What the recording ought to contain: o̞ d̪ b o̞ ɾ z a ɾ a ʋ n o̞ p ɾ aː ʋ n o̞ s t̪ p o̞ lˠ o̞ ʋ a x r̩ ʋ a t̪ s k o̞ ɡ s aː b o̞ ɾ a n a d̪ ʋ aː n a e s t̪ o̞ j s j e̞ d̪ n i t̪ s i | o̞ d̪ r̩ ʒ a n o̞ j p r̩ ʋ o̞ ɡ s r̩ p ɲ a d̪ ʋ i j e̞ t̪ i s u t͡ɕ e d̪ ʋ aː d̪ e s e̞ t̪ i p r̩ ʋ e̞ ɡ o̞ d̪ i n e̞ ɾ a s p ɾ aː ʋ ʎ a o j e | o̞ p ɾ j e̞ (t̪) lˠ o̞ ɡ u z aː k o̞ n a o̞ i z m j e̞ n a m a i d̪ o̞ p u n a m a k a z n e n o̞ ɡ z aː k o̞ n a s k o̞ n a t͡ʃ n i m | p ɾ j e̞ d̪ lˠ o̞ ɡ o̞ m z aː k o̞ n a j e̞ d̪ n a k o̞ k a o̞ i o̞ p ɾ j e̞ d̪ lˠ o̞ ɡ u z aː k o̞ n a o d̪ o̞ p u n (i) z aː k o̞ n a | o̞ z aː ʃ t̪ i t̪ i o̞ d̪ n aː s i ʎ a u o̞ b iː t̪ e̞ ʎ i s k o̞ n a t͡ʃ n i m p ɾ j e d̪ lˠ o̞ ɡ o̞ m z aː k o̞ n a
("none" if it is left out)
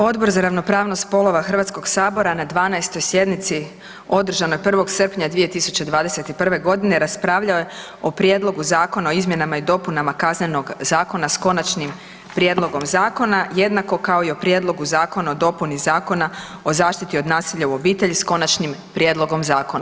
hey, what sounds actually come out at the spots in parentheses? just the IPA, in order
d̪, i

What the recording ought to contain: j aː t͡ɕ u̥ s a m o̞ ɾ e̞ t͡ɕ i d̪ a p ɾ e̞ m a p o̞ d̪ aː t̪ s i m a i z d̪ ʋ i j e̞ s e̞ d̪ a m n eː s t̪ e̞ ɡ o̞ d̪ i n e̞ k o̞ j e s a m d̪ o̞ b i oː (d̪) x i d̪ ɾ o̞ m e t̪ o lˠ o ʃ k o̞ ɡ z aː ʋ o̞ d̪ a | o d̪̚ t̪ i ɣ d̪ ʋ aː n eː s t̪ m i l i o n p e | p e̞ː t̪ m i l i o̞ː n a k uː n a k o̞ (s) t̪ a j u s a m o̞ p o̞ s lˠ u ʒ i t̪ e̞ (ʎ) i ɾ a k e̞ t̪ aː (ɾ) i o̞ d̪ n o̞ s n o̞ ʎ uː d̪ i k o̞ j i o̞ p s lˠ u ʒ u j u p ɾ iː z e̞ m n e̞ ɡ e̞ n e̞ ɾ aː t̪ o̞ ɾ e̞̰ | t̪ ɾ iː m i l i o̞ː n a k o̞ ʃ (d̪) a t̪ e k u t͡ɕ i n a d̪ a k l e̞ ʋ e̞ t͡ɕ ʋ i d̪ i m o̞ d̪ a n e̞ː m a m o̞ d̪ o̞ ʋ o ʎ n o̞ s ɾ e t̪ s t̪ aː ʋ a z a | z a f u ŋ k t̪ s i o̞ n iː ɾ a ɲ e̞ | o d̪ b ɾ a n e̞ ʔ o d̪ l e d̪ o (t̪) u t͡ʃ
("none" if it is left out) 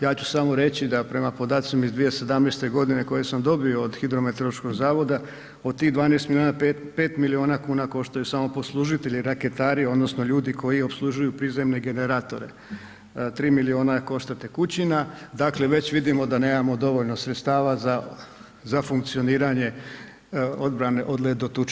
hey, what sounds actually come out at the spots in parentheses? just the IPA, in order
d̪, ʃ, ʎ, ɾ, t̪, t̪

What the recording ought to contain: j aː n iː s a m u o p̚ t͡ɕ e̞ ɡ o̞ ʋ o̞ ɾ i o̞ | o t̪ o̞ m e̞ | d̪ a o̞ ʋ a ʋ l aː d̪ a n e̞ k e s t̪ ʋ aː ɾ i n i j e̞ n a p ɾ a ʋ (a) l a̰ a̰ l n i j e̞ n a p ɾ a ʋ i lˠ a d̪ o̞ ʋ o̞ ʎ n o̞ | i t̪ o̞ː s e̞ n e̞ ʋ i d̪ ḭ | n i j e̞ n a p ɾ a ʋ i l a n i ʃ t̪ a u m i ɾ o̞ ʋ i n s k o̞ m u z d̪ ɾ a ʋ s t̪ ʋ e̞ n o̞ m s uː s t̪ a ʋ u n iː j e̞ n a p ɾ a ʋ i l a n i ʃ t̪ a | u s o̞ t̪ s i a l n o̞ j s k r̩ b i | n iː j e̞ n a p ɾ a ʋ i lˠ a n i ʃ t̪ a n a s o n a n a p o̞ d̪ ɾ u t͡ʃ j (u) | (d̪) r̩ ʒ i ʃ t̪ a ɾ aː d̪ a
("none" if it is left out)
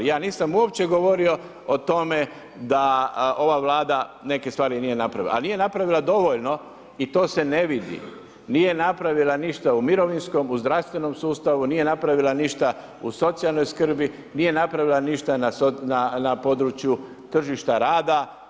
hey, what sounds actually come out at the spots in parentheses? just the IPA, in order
i, u, t̪

